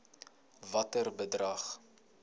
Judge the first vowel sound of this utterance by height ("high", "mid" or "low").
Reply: low